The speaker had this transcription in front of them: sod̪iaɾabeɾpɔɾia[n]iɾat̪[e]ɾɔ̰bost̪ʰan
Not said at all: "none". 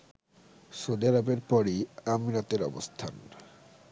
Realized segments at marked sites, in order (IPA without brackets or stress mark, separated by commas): m, e